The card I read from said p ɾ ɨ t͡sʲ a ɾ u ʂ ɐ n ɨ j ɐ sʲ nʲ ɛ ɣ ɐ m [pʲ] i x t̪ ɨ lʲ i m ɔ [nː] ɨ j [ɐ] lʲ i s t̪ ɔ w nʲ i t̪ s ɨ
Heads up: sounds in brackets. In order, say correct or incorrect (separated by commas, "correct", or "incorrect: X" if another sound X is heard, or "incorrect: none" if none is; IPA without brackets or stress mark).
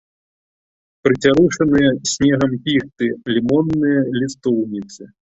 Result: correct, correct, correct